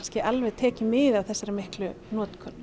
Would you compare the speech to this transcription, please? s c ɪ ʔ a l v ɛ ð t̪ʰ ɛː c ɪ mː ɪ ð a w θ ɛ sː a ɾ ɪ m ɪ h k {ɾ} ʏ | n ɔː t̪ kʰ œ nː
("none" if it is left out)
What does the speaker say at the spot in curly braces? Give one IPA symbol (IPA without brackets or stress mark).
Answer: l